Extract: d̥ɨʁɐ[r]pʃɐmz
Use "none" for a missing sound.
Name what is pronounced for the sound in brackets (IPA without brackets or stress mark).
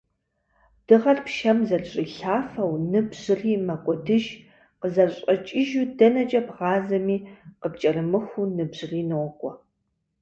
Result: r